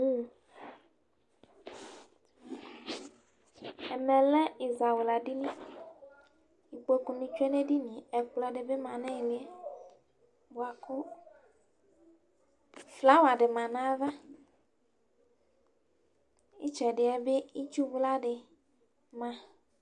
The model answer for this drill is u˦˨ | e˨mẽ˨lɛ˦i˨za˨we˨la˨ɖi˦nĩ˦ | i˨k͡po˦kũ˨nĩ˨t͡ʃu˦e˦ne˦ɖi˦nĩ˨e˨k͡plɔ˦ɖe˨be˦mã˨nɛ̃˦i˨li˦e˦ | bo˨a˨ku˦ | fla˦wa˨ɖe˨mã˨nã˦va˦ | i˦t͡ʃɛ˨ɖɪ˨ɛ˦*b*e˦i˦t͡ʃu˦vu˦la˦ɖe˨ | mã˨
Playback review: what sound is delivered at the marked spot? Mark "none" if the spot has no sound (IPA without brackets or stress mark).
b